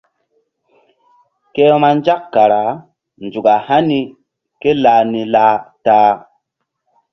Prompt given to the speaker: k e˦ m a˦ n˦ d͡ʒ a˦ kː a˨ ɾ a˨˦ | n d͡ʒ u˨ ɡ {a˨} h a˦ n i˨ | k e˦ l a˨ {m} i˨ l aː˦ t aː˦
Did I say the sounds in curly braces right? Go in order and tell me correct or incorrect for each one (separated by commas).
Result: correct, incorrect